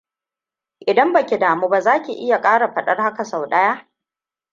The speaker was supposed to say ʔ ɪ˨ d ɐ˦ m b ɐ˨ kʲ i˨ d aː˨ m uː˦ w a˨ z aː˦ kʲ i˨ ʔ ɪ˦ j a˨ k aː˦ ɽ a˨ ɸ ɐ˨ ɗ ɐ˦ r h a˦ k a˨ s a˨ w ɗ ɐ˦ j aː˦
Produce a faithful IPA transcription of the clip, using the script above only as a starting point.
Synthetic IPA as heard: ʔ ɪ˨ d ɐ˦ m b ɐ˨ kʲ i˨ d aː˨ m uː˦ b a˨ z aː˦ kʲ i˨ ʔ ɪ˦ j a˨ kʼ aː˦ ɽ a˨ ɸ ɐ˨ ɗ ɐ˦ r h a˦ k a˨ s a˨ w ɗ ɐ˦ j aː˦